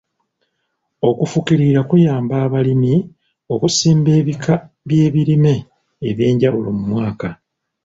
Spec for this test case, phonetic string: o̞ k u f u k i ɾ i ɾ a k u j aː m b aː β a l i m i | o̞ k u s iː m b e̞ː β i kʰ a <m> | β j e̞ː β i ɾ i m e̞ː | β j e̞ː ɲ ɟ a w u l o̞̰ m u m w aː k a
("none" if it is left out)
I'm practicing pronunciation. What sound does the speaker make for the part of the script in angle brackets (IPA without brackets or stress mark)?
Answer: none